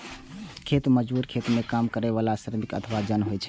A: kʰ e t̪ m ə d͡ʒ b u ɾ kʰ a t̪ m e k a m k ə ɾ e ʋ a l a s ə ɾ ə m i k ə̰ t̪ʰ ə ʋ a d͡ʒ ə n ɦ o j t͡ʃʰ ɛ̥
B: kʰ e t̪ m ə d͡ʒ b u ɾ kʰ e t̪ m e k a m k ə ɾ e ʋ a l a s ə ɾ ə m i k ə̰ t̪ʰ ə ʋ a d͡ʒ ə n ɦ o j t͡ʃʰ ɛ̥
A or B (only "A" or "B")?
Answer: B